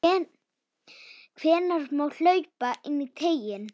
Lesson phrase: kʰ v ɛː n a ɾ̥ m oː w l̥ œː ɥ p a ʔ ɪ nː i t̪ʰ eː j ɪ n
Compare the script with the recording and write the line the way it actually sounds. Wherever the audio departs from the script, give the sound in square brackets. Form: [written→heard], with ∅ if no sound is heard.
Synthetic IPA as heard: kʰ v ɛː n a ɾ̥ m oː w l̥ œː ɥ p a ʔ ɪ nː i t̪ʰ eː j ɪ n